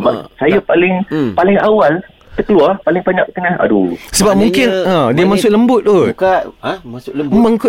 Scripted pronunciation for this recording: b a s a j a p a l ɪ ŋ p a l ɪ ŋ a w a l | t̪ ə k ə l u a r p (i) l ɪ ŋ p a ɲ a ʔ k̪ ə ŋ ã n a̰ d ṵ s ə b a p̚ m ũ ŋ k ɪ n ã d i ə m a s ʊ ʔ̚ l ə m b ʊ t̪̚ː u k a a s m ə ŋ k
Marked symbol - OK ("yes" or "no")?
no